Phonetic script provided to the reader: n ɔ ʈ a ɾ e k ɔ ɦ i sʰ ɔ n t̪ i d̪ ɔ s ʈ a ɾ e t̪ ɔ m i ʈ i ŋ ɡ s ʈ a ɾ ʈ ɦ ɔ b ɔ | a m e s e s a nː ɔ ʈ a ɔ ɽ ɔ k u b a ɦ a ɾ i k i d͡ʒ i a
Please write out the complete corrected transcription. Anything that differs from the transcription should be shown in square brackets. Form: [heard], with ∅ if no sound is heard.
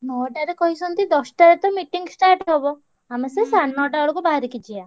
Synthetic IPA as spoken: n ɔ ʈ a ɾ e k ɔ ɦ i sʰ ɔ n t̪ i d̪ ɔ s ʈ a ɾ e t̪ ɔ m i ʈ i ŋ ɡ s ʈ a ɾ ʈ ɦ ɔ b ɔ | a m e s e s a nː ɔ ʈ a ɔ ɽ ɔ k u b a ɦ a ɾ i k i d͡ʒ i a